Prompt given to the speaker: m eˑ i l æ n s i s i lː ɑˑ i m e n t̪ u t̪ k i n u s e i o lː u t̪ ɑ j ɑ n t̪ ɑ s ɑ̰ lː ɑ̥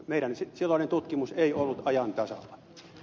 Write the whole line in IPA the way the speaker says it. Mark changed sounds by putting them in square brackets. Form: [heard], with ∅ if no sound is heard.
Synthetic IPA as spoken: m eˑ i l æ n s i s i lː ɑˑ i [n] e n t̪ u t̪ k i [m] u s e i o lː u t̪ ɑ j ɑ n t̪ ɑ s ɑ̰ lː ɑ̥